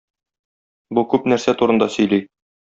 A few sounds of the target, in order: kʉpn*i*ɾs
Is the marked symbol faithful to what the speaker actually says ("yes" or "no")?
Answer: no